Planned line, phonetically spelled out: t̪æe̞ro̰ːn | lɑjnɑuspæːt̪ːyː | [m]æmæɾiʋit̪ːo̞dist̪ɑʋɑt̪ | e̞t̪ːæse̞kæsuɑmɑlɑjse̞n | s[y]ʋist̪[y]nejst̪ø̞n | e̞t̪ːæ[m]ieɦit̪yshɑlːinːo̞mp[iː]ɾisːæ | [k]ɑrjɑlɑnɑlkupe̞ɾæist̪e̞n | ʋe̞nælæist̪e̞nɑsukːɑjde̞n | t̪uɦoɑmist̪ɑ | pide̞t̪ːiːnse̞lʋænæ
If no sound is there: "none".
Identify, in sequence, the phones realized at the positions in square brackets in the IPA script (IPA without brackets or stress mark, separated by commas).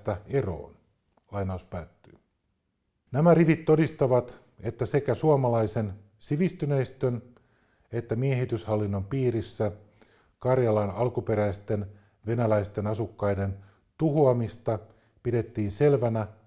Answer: n, i, y, m, iː, k